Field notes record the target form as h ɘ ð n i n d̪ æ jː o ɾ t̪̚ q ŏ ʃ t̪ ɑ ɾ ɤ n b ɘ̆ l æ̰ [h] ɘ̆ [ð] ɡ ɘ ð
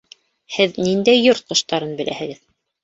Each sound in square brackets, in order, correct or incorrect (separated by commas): correct, incorrect